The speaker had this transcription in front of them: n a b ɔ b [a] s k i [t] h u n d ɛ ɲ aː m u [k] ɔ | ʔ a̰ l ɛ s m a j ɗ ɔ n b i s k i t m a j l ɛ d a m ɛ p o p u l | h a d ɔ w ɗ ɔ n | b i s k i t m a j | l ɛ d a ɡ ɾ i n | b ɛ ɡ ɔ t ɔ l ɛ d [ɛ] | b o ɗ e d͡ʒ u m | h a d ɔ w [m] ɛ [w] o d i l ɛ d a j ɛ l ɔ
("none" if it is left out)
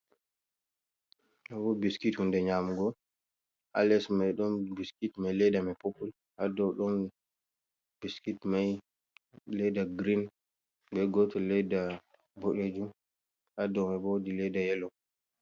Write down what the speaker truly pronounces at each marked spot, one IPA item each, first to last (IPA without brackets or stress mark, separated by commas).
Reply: i, t, ɡ, a, m, b